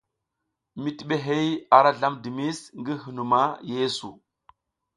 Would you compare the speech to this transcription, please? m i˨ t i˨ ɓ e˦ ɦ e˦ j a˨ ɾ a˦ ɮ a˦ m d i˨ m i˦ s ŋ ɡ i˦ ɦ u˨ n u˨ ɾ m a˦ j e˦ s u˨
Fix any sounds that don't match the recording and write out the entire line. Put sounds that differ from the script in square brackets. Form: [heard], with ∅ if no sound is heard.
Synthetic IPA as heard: m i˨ t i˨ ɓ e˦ ɦ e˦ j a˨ ɾ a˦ ɮ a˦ m d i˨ m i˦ s ŋ ɡ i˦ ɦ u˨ n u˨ [∅] m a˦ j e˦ s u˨